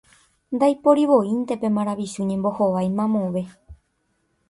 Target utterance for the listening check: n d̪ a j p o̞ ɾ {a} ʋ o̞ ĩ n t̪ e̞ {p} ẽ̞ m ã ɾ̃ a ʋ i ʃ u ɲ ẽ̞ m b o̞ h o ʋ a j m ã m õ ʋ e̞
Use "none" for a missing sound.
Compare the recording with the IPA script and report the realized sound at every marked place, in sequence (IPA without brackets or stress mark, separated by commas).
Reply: i, p